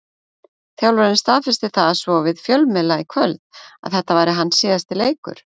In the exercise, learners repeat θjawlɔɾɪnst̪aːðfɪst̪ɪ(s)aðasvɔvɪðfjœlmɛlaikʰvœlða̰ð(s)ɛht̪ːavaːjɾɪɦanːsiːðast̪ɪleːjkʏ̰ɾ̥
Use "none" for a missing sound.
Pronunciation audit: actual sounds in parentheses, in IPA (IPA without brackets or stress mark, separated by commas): θ, θ